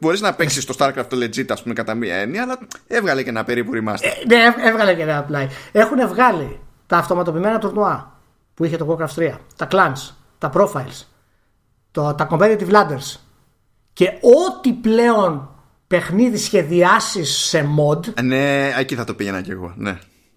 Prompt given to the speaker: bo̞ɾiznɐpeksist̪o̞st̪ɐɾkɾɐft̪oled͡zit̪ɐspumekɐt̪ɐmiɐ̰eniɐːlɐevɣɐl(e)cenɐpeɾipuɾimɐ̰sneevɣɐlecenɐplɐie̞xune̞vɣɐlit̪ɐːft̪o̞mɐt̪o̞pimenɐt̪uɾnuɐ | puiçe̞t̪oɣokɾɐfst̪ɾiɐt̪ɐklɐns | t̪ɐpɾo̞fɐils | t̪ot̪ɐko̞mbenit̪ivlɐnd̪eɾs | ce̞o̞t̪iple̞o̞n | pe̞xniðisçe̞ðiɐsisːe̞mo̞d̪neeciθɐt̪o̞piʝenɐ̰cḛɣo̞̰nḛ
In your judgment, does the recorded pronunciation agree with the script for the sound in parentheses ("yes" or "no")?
yes